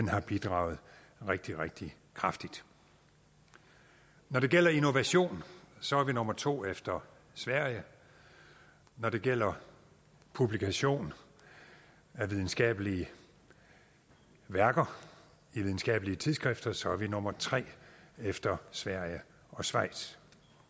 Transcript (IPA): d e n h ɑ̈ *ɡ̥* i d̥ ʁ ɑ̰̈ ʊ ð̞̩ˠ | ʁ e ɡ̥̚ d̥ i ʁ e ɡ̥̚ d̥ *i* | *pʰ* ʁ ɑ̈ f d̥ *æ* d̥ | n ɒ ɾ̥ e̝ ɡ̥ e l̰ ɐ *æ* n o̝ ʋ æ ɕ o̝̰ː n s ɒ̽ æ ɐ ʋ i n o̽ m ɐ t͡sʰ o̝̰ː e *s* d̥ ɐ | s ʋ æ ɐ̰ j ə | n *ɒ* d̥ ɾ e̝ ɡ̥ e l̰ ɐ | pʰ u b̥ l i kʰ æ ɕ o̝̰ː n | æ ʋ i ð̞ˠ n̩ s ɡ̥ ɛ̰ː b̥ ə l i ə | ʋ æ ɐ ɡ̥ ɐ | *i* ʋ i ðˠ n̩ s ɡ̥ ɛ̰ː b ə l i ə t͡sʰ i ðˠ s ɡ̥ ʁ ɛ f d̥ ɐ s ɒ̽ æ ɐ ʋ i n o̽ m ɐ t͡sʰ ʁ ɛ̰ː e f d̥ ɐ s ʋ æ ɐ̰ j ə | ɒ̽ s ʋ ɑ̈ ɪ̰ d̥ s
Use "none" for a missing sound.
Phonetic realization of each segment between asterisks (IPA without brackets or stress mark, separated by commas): b̥, i, kʰ, i, i, f, ɒ, i